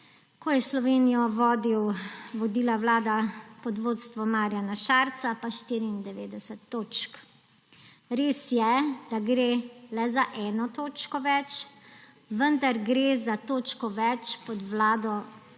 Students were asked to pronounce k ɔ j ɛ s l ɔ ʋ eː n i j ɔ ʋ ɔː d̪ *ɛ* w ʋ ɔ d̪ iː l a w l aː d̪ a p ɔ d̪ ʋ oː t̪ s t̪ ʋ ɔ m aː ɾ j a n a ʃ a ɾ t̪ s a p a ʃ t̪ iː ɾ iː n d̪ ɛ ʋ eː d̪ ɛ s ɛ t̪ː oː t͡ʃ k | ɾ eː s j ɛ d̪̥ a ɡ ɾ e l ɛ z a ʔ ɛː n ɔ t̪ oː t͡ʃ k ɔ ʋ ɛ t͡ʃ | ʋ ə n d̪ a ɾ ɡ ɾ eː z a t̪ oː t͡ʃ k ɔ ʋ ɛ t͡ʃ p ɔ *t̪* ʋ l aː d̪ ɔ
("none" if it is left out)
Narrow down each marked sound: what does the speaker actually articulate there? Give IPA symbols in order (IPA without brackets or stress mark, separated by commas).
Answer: i, d̪